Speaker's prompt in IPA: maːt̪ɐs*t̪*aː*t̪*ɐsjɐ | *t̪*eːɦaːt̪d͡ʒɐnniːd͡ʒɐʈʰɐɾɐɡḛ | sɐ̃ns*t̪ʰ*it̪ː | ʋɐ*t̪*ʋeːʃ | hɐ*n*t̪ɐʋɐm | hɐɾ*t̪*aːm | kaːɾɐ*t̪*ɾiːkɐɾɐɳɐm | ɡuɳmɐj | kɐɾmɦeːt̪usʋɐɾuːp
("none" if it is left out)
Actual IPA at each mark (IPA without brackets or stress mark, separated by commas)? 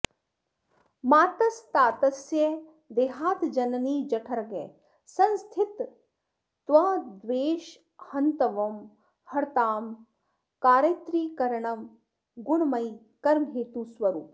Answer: t̪, t̪, d̪, t̪ʰ, d̪, n, t̪, t̪